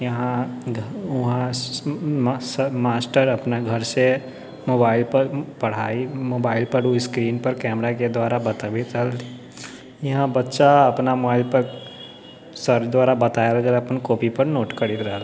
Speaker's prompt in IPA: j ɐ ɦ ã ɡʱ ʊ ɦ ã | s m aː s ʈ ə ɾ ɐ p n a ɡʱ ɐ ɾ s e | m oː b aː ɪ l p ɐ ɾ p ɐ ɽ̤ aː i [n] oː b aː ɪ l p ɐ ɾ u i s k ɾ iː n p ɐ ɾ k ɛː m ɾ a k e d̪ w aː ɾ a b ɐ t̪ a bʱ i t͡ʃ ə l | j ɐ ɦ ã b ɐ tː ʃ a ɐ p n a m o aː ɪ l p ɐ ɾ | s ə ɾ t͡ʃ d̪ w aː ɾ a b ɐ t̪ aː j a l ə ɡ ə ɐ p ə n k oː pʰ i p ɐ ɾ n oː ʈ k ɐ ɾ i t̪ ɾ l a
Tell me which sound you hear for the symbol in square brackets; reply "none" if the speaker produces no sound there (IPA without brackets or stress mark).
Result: m